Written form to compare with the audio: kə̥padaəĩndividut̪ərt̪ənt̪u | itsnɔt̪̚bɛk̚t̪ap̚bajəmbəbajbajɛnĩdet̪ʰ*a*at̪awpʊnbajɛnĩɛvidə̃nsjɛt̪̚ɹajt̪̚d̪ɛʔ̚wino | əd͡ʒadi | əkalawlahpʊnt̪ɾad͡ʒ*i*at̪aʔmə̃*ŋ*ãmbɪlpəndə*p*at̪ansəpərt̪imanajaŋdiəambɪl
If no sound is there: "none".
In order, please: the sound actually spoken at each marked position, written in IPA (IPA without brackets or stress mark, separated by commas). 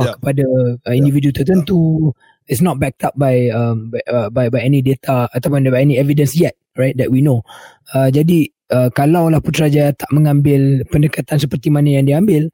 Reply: a, a, ŋ, k